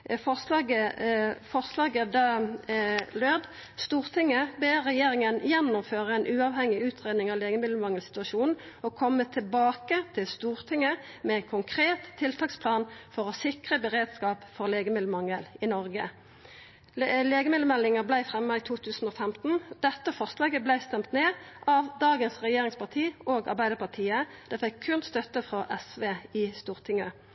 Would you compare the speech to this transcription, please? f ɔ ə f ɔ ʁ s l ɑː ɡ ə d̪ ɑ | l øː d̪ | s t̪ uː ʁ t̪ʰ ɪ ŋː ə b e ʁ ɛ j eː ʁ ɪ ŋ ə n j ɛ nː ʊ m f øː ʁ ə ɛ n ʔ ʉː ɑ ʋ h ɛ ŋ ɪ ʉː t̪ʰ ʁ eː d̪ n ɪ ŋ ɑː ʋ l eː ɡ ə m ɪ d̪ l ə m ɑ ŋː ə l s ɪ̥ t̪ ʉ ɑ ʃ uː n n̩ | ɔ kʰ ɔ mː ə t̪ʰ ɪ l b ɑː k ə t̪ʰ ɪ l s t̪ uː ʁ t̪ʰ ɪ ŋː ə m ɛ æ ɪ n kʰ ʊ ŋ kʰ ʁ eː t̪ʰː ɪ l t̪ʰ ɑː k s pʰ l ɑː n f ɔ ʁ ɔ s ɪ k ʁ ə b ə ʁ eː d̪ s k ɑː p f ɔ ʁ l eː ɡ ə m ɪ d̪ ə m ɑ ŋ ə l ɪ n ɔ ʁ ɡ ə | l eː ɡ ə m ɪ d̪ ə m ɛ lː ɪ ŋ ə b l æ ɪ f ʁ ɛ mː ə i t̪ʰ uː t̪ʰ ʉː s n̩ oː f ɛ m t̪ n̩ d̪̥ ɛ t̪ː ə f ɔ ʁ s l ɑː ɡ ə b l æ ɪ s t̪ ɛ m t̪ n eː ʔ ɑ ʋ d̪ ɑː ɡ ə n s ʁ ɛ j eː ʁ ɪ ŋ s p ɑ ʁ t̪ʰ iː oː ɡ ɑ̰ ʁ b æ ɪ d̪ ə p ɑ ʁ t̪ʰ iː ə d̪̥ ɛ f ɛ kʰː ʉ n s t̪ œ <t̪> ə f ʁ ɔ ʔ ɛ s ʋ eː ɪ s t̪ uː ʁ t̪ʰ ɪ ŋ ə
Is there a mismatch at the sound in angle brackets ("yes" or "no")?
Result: no